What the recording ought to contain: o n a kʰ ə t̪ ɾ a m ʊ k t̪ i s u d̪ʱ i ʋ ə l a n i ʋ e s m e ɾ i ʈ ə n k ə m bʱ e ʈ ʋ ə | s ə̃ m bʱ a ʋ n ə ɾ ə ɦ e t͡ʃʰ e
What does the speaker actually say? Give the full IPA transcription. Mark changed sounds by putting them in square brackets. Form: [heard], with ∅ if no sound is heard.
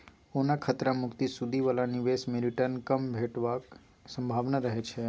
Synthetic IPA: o n a kʰ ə t̪ ɾ a m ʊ k t̪ i s u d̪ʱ i ʋ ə l a n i ʋ e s m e ɾ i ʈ ə n k ə m bʱ e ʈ ʋ [a] | s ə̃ m bʱ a ʋ n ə ɾ ə ɦ e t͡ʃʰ e